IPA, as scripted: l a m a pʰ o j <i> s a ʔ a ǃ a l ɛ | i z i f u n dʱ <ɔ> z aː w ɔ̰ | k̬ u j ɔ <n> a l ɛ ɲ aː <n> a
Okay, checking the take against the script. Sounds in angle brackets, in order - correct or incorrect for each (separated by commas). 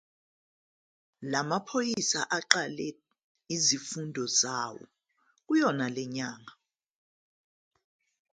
correct, correct, correct, incorrect